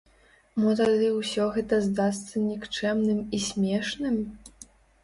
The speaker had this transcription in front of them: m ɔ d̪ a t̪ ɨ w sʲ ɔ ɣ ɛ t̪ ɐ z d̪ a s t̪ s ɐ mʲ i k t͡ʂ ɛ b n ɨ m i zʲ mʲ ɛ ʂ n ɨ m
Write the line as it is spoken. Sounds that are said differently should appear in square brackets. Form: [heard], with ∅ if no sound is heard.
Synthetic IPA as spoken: m ɔ [t̪] a [d̪] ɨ w sʲ ɔ ɣ ɛ t̪ ɐ z d̪ a s t̪ s ɐ [nʲ] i k t͡ʂ ɛ [m] n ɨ m i [sʲ] mʲ ɛ ʂ n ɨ m

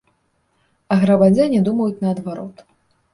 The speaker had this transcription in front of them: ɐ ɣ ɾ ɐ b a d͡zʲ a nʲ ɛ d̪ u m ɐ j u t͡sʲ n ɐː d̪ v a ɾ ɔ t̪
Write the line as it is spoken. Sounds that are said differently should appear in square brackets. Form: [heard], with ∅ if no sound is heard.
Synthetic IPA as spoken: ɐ ɣ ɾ ɐ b a d͡zʲ a nʲ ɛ d̪ u m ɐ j u t͡sʲ n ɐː d̪ v a ɾ ɔ t̪

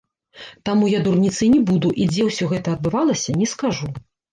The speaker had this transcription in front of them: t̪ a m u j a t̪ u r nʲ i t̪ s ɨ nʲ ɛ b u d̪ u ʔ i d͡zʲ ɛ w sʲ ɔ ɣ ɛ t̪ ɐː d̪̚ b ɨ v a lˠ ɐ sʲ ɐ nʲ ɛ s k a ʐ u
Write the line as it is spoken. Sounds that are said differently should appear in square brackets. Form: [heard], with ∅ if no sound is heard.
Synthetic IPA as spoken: t̪ a m u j a [d̪] u r nʲ i t̪ s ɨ nʲ ɛ b u d̪ u ʔ i d͡zʲ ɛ w sʲ ɔ ɣ ɛ t̪ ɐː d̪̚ b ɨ v a lˠ ɐ sʲ ɐ nʲ ɛ s k a ʐ u

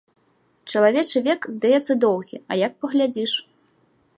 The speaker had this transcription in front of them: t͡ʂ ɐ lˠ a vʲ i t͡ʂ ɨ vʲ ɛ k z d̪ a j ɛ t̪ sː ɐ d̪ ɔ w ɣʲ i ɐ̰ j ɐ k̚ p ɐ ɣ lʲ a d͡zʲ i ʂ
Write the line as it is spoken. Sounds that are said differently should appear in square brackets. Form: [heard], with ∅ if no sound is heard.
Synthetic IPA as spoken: t͡ʂ ɐ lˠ a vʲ [ɛ] t͡ʂ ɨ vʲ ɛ k z d̪ a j ɛ t̪ sː ɐ d̪ ɔ w ɣʲ i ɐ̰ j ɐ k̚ p ɐ ɣ lʲ a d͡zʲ i ʂ

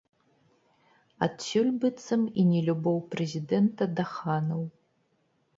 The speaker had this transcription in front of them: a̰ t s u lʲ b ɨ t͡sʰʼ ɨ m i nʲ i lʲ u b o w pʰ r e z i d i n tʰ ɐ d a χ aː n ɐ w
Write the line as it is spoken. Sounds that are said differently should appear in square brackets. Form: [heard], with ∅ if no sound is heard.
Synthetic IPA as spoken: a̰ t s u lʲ b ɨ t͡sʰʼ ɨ m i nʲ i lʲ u b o w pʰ r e z i d [e] n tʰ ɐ d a χ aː n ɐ w

